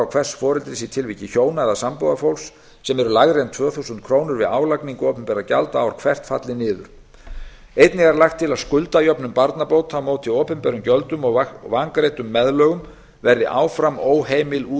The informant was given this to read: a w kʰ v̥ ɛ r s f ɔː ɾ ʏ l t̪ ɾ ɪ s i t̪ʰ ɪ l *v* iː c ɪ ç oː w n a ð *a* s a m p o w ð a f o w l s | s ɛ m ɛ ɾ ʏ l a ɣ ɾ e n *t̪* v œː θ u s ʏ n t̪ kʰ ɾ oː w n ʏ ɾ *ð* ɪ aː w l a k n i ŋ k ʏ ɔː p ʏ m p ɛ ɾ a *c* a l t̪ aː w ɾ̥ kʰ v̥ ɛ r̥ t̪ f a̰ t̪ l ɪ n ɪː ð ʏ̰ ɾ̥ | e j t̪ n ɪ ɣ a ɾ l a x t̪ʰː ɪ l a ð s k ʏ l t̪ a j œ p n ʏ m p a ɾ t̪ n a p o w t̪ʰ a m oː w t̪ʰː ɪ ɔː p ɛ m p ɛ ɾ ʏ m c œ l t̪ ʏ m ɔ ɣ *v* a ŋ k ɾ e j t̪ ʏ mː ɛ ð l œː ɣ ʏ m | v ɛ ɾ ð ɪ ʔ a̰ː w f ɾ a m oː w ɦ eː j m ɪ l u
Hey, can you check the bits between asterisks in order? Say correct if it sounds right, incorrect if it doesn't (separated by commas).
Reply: correct, correct, incorrect, incorrect, correct, correct